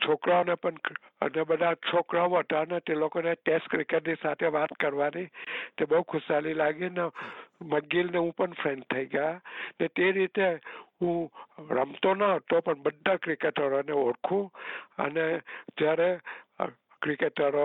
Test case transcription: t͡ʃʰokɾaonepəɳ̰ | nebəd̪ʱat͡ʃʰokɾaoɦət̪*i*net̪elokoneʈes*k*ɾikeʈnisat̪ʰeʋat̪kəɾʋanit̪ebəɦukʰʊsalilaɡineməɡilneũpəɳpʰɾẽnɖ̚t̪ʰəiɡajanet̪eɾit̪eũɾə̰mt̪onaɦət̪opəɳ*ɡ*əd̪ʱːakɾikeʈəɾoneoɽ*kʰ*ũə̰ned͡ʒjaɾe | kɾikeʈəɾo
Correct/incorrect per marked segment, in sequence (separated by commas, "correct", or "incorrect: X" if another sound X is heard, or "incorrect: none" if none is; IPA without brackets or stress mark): incorrect: a, correct, incorrect: b, correct